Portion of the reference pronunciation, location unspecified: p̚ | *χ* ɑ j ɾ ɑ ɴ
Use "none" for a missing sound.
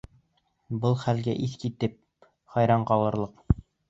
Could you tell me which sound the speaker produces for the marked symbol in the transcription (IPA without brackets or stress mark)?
χ